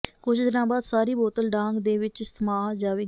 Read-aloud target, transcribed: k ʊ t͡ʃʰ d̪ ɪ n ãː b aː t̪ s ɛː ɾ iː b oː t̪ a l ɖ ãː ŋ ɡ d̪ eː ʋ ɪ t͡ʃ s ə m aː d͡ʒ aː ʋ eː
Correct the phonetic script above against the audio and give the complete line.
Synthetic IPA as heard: k ʊ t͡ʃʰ d̪ ɪ n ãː b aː d̪ s aː ɾ iː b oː t̪ ə l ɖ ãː ŋ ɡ d̪ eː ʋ ɪ t͡ʃ s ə m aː d͡ʒ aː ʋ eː